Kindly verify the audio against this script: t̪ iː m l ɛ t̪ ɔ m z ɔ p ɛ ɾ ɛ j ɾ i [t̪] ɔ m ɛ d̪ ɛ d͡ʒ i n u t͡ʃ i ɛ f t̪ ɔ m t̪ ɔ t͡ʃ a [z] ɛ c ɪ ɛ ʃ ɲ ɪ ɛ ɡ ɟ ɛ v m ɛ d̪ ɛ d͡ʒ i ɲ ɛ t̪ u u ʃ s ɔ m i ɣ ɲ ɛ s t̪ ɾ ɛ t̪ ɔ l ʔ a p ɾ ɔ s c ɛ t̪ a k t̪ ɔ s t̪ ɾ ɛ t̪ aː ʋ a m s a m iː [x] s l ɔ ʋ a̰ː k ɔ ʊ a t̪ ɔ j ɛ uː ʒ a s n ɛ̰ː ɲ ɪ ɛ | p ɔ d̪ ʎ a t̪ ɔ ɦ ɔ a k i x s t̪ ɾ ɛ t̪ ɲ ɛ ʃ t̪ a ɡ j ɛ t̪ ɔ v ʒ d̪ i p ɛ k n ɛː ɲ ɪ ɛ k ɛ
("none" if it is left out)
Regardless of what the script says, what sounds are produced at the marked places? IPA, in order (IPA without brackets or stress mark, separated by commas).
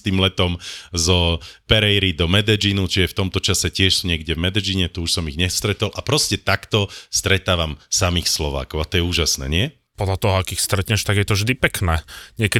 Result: d̪, s, x